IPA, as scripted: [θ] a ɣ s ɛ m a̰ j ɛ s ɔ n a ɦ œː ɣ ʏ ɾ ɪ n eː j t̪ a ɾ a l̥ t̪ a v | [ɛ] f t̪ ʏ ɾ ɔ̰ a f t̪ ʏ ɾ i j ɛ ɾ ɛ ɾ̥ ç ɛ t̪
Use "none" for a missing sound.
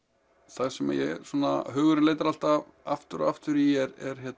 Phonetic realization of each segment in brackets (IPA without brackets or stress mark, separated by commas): θ, a